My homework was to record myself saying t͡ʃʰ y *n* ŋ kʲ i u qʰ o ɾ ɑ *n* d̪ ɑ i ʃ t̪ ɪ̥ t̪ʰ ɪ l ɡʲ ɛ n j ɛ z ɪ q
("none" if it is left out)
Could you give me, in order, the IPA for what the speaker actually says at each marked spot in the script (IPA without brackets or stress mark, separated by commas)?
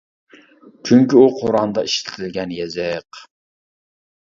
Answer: none, n